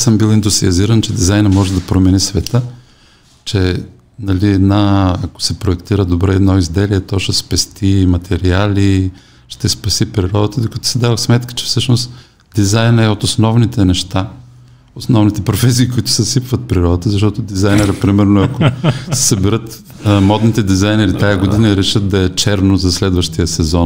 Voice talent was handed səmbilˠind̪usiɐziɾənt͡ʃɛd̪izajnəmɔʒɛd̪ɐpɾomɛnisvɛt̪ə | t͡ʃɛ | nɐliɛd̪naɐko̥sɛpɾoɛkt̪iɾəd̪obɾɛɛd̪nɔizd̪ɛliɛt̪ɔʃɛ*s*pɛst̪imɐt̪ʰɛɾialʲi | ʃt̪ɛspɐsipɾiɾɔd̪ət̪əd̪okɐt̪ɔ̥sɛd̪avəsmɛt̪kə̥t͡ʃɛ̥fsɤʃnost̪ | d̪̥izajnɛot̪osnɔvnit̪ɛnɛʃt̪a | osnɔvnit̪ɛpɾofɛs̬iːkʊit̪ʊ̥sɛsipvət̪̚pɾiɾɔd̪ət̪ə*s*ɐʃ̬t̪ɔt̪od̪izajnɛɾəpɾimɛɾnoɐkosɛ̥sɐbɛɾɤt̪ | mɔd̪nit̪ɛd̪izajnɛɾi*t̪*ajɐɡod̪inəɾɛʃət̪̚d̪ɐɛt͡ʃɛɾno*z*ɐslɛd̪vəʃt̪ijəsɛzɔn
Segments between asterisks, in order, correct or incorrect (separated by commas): correct, incorrect, correct, correct